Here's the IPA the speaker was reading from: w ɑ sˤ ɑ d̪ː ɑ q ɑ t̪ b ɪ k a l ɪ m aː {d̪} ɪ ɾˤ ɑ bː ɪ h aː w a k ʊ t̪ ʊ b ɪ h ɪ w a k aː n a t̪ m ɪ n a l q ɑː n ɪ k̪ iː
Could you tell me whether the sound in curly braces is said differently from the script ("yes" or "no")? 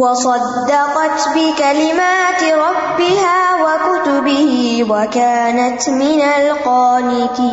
yes